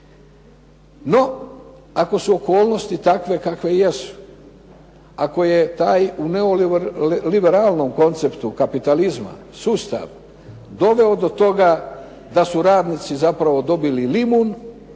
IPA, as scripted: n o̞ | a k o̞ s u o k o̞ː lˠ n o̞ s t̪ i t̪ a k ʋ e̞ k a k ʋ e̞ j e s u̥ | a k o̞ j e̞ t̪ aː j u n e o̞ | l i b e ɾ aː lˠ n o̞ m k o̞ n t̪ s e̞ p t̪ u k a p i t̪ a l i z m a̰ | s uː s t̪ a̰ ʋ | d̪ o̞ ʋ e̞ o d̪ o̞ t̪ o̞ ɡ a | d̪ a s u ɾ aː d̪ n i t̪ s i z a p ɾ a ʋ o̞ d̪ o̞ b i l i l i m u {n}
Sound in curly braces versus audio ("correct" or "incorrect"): correct